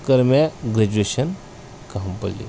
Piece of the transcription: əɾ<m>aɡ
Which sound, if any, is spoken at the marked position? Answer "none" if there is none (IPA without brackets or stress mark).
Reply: m